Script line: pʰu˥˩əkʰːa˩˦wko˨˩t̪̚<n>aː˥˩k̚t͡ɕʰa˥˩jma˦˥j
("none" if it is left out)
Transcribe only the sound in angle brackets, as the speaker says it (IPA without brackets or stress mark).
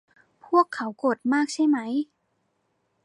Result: m